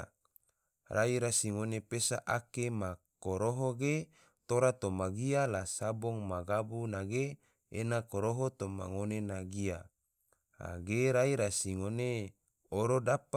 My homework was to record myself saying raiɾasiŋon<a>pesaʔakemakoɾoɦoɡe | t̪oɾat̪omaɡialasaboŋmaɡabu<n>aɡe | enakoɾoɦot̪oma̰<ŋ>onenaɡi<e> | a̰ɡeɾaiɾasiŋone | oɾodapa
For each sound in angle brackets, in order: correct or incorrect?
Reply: incorrect: e, correct, correct, incorrect: a

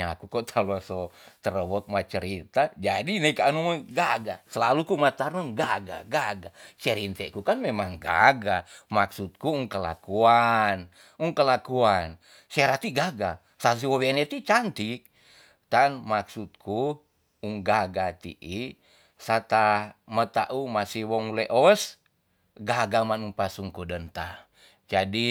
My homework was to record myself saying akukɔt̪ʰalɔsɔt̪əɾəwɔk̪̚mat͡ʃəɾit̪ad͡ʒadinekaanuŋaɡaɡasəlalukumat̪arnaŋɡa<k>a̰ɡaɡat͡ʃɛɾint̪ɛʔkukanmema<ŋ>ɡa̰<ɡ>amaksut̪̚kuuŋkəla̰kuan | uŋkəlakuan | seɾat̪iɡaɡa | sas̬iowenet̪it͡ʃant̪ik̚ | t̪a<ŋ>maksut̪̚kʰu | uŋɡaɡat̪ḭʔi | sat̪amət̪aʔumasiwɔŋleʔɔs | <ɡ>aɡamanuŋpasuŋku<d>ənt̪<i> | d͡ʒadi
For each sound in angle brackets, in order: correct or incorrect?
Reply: incorrect: ɡ, correct, correct, incorrect: n, correct, correct, incorrect: a

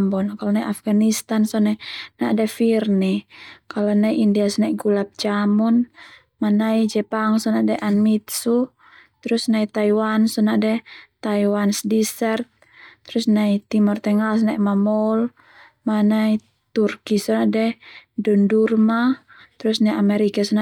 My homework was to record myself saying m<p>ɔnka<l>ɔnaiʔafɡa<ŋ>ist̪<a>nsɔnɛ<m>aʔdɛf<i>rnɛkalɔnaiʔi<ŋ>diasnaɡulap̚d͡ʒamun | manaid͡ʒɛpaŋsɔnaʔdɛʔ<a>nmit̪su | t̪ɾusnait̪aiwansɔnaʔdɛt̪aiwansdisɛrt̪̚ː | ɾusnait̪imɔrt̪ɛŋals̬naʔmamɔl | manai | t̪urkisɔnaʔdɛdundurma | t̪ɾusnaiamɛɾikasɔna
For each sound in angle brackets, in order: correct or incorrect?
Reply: incorrect: b, correct, incorrect: n, correct, incorrect: n, correct, incorrect: n, correct

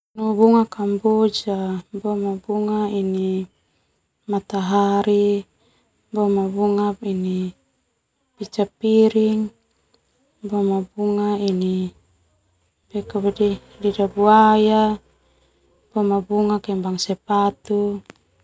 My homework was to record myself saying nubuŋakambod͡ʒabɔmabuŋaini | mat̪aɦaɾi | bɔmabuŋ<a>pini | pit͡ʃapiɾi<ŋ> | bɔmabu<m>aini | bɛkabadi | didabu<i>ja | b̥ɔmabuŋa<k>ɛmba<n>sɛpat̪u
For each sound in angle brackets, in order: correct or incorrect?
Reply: correct, correct, incorrect: ŋ, incorrect: a, correct, incorrect: ŋ

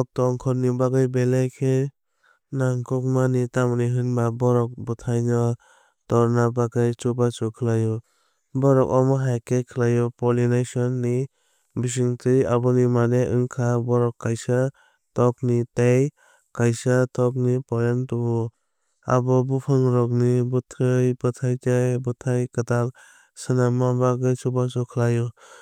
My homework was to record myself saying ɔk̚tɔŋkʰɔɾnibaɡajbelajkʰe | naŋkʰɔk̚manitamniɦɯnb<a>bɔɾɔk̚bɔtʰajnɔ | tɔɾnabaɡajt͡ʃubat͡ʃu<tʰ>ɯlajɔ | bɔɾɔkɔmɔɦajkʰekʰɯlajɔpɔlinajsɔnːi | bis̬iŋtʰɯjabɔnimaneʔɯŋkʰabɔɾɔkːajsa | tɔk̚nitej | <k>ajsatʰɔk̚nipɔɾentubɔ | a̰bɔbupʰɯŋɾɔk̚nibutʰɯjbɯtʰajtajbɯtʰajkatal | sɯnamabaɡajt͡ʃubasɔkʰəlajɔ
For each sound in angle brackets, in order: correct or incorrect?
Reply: correct, incorrect: kʰ, correct

